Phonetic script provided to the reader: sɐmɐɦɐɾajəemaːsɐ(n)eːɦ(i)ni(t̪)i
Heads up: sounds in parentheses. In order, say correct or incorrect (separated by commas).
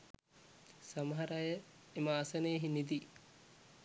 correct, correct, incorrect